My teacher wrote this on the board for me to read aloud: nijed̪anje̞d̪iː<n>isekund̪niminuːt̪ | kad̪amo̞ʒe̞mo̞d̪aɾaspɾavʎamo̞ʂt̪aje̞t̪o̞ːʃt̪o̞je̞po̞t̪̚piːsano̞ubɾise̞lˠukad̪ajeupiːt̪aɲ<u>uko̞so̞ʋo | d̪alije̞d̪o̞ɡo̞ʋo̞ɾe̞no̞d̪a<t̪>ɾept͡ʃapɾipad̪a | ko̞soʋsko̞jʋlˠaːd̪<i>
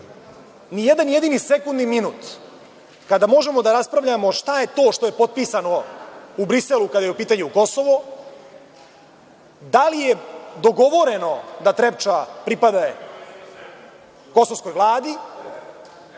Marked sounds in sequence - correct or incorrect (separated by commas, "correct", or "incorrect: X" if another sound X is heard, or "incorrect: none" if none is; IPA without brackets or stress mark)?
correct, correct, correct, correct